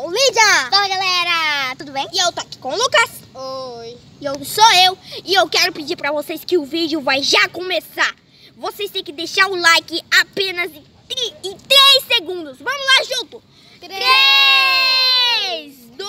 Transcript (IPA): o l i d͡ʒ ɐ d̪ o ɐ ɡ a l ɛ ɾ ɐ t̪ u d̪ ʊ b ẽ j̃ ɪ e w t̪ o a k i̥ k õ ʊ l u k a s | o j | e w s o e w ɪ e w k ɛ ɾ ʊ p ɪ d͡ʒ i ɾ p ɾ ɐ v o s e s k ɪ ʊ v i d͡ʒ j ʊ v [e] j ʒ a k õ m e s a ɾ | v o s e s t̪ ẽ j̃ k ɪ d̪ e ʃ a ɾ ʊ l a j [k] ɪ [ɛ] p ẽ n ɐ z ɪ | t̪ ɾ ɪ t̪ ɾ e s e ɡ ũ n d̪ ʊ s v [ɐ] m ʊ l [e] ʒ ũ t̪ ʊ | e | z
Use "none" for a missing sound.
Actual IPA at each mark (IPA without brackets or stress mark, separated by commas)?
a, k, a, ɐ̃, a